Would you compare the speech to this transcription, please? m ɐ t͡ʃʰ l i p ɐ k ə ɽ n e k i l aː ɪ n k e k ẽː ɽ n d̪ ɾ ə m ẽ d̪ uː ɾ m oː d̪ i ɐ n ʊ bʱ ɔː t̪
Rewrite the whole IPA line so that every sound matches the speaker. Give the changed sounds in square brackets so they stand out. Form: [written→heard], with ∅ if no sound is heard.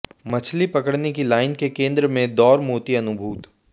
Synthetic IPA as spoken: m ɐ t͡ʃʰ l i p ɐ k ə ɽ n e k i l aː ɪ n k e k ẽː [ɽ→∅] n d̪ ɾ ə m ẽ d̪ [uː→ɔː] ɾ m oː [d̪→t̪] i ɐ n ʊ bʱ [ɔː→uː] t̪